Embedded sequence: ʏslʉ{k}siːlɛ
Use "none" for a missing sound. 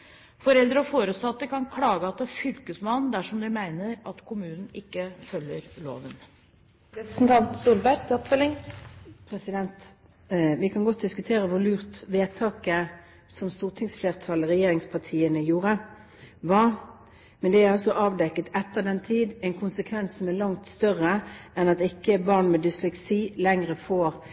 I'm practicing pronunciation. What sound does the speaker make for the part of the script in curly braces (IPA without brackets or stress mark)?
k